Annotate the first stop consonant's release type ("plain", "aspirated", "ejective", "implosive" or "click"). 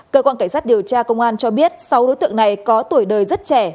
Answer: plain